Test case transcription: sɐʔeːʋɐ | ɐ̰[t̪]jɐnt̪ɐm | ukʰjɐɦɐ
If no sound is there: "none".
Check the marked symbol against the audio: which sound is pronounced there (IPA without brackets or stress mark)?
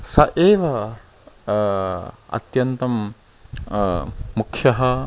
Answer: t̪